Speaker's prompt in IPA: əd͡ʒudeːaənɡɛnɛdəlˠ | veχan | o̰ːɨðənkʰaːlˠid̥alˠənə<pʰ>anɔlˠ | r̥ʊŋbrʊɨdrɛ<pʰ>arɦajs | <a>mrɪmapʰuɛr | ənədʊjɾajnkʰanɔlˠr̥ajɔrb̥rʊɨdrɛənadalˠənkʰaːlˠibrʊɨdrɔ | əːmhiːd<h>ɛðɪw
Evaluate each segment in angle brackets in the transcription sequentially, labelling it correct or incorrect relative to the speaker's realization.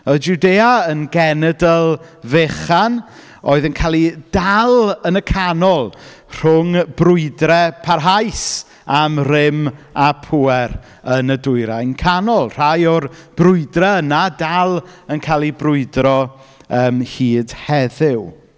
incorrect: kʰ, correct, correct, correct

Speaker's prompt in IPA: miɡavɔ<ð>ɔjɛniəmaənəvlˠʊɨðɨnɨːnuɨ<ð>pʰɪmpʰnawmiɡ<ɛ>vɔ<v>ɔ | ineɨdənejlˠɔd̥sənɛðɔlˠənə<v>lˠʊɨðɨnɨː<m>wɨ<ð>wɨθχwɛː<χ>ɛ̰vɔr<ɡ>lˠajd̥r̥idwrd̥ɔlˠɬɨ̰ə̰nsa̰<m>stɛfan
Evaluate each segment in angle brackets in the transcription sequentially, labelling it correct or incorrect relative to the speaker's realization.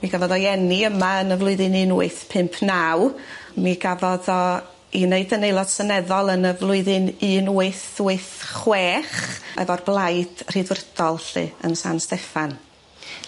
correct, incorrect: θ, incorrect: a, incorrect: ð, correct, incorrect: n, incorrect: θ, correct, incorrect: b, incorrect: n

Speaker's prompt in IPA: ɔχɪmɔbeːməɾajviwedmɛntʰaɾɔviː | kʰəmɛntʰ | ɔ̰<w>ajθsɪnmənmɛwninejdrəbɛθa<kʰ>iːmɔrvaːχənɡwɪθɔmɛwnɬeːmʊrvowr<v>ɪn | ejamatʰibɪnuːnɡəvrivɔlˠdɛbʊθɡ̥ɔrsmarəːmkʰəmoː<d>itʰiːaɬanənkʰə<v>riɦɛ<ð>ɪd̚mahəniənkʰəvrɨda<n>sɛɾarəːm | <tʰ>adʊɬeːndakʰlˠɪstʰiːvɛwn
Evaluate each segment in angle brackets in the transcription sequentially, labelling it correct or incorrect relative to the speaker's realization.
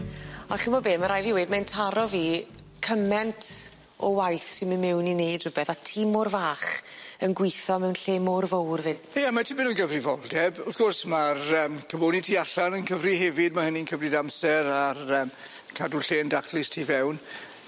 correct, incorrect: tʰ, correct, incorrect: n, correct, incorrect: v, incorrect: m, incorrect: kʰ

